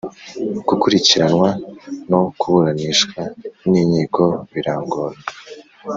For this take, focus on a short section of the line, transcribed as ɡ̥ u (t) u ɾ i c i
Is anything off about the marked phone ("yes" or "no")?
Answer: yes